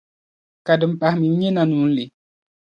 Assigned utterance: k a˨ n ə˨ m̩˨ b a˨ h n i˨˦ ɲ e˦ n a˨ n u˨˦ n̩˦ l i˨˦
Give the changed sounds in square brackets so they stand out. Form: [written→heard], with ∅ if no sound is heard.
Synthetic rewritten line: k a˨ [n→d] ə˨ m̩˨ [b→p] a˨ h [n→m] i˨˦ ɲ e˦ n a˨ n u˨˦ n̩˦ l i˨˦